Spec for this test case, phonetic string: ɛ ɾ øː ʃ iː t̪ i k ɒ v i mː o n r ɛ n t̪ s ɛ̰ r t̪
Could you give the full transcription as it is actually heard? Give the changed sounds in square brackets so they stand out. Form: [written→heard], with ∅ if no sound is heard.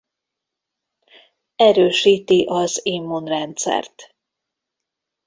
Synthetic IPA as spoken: ɛ ɾ øː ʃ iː t̪ i [k→ʔ] ɒ [v→z] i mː o n r ɛ n t̪ s ɛ̰ r t̪